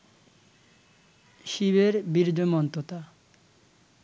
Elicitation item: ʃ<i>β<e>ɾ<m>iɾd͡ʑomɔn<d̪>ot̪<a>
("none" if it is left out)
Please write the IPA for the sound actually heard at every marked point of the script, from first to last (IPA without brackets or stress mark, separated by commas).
i, e, b, t̪, a